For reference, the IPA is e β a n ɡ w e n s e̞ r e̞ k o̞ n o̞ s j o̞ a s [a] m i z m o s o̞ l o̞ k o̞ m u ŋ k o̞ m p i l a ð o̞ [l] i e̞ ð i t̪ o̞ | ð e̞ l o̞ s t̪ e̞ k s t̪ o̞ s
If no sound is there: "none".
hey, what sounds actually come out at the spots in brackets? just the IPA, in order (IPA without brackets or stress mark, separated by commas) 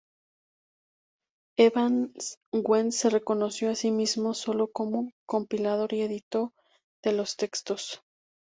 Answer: i, ɾ